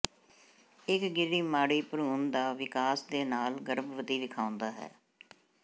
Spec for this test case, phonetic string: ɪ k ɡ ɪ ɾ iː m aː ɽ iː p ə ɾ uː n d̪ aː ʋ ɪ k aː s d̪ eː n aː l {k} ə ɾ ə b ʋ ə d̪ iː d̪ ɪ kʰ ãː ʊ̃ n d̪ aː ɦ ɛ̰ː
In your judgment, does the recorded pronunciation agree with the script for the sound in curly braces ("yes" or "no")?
no